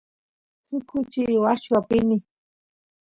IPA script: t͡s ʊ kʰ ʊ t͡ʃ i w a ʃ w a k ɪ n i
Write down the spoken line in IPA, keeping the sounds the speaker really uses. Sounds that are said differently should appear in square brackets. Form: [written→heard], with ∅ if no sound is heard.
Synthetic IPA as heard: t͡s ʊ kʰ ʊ t͡ʃ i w a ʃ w a [k→p] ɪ n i